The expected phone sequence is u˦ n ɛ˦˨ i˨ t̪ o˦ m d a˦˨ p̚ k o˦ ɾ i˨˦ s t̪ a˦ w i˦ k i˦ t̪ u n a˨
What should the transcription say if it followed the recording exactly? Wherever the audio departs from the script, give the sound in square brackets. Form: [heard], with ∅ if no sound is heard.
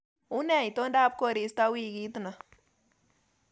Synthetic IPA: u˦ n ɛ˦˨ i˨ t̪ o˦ [n] d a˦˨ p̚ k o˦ ɾ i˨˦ s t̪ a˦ w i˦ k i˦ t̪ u n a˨